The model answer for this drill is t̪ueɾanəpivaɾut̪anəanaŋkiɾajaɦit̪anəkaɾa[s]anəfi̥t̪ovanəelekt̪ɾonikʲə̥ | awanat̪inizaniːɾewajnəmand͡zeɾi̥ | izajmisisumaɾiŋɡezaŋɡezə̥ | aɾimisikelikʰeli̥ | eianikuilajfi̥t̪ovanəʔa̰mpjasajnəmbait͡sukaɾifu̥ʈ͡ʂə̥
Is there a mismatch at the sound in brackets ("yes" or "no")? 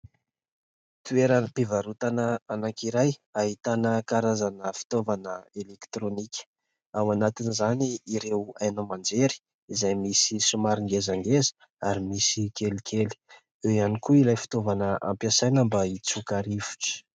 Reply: yes